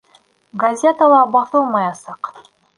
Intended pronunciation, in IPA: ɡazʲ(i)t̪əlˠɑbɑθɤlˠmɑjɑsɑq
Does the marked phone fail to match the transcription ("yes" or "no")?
yes